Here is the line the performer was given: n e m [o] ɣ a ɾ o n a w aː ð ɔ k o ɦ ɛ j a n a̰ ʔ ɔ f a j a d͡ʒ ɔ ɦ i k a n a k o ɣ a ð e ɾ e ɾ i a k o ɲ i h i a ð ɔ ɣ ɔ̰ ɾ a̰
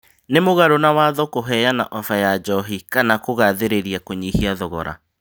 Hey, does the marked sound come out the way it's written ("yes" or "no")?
yes